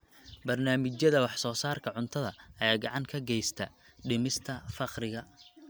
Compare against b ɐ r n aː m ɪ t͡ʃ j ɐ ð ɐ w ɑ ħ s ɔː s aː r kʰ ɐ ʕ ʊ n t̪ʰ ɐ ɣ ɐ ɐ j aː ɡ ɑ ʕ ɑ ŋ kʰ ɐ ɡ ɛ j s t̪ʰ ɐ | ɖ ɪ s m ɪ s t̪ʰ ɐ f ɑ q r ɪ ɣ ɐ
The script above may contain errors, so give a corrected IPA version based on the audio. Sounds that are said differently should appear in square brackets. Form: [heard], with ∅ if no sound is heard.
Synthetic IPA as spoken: b ɐ r n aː m ɪ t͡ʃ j ɐ ð ɐ w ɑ ħ s ɔː s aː r kʰ ɐ ʕ ʊ n t̪ʰ ɐ [ð] ɐ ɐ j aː ɡ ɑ ʕ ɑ ŋ kʰ ɐ ɡ ɛ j s t̪ʰ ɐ | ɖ ɪ [∅] m ɪ s t̪ʰ ɐ f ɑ q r ɪ ɣ ɐ